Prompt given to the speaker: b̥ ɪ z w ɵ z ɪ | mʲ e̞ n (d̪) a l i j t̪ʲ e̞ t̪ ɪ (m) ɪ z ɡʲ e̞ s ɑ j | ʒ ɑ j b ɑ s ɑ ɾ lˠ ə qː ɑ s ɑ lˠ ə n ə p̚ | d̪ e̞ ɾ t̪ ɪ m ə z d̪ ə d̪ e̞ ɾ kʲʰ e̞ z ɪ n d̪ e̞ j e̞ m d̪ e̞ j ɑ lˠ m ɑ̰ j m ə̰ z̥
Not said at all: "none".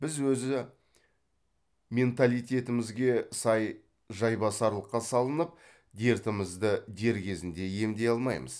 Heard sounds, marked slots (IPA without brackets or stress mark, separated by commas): t̪, m